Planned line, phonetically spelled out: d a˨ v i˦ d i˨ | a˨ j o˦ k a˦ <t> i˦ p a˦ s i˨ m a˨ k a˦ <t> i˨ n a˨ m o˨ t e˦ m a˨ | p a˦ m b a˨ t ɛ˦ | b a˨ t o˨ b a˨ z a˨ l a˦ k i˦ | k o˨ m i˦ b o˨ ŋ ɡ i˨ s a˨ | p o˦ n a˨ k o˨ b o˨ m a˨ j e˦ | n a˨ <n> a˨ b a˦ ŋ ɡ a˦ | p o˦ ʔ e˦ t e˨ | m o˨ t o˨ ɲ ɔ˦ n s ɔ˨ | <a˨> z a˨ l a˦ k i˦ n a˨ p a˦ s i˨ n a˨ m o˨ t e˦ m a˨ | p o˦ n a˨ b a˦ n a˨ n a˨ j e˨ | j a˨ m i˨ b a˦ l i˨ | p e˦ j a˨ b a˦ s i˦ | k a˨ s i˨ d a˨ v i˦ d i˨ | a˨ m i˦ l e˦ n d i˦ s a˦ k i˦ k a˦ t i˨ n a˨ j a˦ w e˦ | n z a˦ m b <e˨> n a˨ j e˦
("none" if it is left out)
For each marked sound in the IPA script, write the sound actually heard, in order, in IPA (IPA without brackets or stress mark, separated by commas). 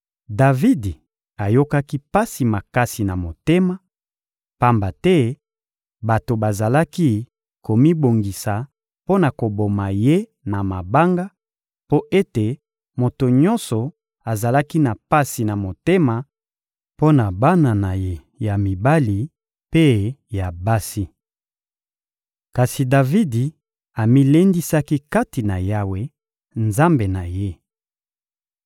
k, s, m, a˨, e˨